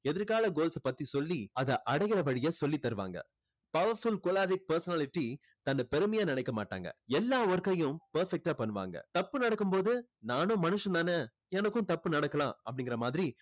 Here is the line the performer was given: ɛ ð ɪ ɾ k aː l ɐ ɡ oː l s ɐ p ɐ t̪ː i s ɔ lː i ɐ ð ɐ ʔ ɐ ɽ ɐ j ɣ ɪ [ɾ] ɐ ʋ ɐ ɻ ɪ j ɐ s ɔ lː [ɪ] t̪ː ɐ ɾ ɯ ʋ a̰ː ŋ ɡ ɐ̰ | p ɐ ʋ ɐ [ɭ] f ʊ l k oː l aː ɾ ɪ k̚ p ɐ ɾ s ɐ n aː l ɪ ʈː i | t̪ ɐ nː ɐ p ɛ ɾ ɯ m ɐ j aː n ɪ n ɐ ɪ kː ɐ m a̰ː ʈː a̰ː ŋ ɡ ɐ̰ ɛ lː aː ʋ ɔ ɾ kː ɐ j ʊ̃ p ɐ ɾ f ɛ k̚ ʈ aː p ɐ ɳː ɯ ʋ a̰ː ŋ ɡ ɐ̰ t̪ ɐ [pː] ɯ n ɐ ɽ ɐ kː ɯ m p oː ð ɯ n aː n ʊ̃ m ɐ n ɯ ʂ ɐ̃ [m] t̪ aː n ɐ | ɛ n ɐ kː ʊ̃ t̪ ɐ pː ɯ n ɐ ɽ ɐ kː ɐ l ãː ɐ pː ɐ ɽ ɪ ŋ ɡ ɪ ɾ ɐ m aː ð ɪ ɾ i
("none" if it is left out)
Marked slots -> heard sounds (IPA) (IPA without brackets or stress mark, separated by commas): ɾ, i, ɾ, pː, n